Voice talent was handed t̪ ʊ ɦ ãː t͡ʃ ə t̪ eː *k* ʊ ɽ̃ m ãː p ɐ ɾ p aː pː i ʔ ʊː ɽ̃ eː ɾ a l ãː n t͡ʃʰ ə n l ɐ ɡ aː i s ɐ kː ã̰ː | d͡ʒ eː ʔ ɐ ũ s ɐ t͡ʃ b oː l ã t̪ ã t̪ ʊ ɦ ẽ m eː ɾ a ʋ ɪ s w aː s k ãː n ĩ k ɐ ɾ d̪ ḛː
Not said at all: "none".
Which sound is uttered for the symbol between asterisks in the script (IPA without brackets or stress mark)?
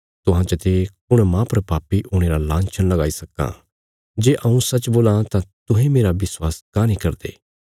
k